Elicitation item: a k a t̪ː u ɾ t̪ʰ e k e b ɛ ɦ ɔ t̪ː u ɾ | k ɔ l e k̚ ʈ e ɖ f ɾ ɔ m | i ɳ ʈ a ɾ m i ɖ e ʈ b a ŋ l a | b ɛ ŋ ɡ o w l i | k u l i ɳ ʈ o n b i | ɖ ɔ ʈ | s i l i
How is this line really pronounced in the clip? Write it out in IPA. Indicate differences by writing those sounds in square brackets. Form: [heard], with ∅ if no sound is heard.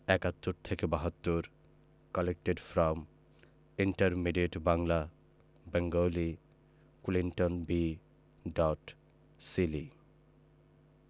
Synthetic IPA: [ɛ] k a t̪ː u ɾ t̪ʰ e k e b [a] ɦ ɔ t̪ː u ɾ | k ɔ l e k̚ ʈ e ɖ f ɾ ɔ m | i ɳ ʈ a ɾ m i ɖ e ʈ b a ŋ l a | b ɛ ŋ ɡ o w l i | k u l i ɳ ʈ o n b i | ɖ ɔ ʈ | s i l i